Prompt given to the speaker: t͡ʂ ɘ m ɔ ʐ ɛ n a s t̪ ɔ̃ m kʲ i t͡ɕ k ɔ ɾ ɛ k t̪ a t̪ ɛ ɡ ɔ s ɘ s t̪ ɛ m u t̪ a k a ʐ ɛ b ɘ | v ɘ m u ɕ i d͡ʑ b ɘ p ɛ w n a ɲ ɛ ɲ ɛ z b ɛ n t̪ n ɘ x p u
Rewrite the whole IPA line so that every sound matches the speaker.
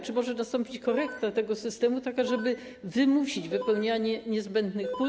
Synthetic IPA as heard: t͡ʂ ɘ m ɔ ʐ ɛ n a s t̪ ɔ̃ m pʲ i t͡ɕ k ɔ ɾ ɛ k t̪ a t̪ ɛ ɡ ɔ s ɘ s t̪ ɛ m u t̪ a k a ʐ ɛ b ɘ | v ɘ m u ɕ i d͡ʑ v ɘ p ɛ w ɲ a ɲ ɛ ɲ ɛ z b ɛ n d̪ n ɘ x p u

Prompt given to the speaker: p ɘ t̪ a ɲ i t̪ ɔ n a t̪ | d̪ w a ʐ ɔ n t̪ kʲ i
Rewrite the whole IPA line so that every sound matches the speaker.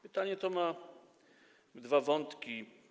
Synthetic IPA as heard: p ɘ t̪ a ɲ ɛ t̪ ɔ m a | d̪ v a v ɔ n t̪ kʲ i

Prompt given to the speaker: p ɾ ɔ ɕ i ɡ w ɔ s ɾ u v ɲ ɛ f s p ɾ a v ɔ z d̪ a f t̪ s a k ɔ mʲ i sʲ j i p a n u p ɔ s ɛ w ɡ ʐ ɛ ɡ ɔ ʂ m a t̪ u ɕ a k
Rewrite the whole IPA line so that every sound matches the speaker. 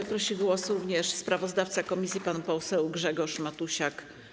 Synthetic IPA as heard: p ɾ ɔ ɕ i ɡ w ɔ s ɾ u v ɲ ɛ ʂ s p ɾ a v ɔ z d̪ a f t̪ s a k ɔ mʲ i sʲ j i p a n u p ɔ s ɛ w ɡ ʐ ɛ ɡ ɔ ʂ m a t̪ u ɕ a k

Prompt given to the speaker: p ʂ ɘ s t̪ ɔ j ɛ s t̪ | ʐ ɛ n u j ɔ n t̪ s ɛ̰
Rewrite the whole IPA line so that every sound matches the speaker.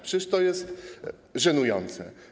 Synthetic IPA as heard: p ʂ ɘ s t̪ ɔ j ɛ s t̪ | ʐ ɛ n u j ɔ n t̪ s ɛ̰

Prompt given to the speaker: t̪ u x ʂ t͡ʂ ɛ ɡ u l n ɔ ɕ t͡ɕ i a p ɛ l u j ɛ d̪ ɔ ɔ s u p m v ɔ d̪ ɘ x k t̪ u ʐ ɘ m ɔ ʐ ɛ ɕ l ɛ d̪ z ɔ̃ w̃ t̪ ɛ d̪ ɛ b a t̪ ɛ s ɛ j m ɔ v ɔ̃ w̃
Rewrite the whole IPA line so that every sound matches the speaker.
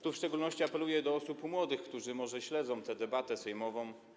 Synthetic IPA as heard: t̪ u f ʂ t͡ʂ ɛ ɡ u l n ɔ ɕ t͡ɕ i a p ɛ l u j ɛ d̪ ɔ ɔ s u p m w ɔ d̪ ɘ x k t̪ u ʐ ɘ m ɔ ʐ ɛ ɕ l ɛ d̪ z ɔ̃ w̃ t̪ ɛ d̪ ɛ b a t̪ ɛ s ɛ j m ɔ v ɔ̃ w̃

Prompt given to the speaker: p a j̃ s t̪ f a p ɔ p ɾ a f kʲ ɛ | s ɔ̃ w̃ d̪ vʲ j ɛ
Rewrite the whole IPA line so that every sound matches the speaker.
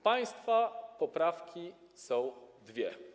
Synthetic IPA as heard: p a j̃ s t̪ f a p ɔ p ɾ a f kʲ i | s ɔ̃ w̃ d̪ vʲ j ɛ

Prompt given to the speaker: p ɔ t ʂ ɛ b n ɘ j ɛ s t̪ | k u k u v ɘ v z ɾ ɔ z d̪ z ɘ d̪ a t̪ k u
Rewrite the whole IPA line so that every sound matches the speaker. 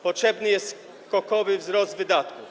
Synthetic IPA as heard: p ɔ t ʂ ɛ b n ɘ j ɛ s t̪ | k ɔ k ɔ v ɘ v z ɾ ɔ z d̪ v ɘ d̪ a t̪ k u

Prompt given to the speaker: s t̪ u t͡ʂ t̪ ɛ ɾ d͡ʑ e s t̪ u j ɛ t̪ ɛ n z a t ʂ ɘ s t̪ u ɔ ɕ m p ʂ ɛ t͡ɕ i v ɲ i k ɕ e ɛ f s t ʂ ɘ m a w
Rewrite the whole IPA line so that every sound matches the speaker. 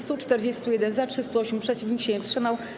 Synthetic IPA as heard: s t̪ u t͡ʂ t̪ ɛ ɾ d͡ʑ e s t̪ u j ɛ d̪ ɛ n z a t ʂ ɘ s t̪ u ɔ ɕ m p ʂ ɛ t͡ɕ i v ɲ i k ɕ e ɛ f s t ʂ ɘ m a w

